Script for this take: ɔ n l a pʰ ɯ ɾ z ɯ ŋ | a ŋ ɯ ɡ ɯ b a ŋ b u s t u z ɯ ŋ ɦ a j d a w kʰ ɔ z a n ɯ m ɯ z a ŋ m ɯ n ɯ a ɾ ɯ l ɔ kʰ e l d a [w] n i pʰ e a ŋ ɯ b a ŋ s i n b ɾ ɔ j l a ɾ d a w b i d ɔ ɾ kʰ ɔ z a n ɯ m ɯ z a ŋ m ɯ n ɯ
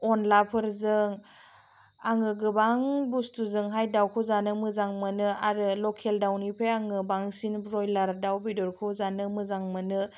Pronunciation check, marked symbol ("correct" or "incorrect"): correct